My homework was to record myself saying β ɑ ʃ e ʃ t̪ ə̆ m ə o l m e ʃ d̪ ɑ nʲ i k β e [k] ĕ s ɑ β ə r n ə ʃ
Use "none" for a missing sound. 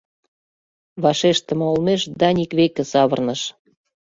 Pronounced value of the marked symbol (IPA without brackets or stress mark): k